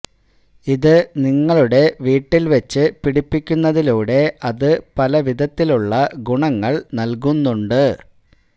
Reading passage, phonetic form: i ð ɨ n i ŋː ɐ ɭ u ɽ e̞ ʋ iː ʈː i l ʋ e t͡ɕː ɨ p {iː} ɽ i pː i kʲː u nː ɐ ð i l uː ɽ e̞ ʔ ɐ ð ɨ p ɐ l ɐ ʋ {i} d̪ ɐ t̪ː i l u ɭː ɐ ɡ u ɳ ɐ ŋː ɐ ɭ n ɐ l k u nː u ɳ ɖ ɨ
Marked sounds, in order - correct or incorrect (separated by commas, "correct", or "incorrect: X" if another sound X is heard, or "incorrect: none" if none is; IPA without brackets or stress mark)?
incorrect: i, correct